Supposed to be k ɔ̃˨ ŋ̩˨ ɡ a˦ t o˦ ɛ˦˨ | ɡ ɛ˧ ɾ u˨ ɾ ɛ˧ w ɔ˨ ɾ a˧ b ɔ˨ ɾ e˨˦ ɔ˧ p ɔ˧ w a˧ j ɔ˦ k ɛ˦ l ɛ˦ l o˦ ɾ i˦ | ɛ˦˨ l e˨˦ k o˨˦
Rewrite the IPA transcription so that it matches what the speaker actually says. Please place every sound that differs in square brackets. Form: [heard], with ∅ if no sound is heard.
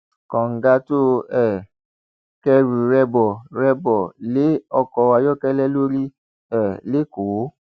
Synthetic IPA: k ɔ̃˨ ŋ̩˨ ɡ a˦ t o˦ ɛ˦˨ | [k] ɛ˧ ɾ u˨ ɾ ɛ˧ [b] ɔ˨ ɾ [ɛ˧] b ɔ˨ [l] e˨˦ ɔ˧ [k] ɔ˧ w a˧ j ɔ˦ k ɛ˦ l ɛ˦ l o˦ ɾ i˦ | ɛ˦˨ l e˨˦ k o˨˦